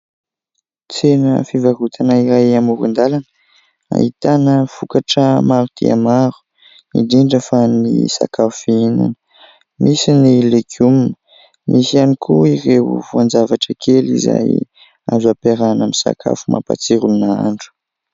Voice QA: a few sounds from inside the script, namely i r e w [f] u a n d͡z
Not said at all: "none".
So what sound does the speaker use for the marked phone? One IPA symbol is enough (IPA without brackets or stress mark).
v